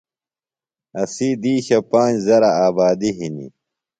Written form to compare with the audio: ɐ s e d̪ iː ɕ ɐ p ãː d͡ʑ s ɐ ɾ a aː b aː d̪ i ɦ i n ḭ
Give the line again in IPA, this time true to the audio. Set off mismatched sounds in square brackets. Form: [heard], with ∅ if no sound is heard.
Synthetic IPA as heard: ɐ s [i] d̪ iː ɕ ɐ p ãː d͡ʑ [z] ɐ ɾ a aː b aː d̪ i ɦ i n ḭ